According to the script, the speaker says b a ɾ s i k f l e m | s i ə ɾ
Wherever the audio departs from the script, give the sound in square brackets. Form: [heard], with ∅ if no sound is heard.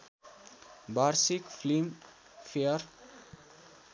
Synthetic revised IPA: b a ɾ s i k f l [i] m | [f] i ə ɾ